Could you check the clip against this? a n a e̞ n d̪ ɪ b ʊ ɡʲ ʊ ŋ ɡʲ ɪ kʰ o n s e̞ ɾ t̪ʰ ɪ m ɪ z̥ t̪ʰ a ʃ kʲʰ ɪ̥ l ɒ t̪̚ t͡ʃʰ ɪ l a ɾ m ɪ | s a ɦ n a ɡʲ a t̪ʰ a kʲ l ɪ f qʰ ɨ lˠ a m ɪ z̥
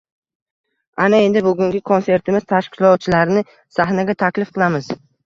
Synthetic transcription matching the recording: a n a e̞ n d̪ ɪ b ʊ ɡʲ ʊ ŋ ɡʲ ɪ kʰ o n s e̞ ɾ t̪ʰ ɪ m ɪ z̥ t̪ʰ a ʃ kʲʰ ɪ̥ l ɒ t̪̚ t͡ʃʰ ɪ l a ɾ n ɪ | s a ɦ n a ɡʲ a t̪ʰ a kʲ l ɪ f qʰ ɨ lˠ a m ɪ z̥